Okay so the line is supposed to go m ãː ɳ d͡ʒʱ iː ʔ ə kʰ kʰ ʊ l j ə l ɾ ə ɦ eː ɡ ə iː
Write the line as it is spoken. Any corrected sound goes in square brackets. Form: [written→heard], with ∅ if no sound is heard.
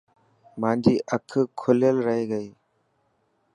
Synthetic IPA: m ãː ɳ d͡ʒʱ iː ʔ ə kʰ kʰ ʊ l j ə l ɾ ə ɦ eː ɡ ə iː